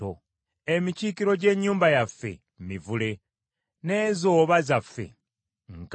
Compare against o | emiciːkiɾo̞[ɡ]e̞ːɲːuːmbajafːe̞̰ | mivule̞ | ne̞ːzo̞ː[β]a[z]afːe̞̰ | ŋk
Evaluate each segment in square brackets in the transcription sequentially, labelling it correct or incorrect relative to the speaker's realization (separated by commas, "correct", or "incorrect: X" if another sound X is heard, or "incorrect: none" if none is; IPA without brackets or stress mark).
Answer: incorrect: ɟ, correct, correct